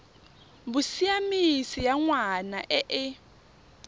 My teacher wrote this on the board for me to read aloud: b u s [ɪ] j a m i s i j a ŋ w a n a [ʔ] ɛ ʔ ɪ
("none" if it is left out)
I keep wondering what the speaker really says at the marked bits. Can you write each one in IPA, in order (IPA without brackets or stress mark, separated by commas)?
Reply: i, ʔ